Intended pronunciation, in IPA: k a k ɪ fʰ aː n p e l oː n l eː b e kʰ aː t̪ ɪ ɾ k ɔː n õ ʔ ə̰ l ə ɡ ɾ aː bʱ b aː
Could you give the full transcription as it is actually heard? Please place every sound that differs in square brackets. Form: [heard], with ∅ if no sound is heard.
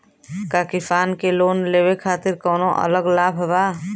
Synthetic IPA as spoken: k a k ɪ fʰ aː n [k] e l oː n l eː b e kʰ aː t̪ ɪ ɾ k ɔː n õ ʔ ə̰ l ə ɡ [l] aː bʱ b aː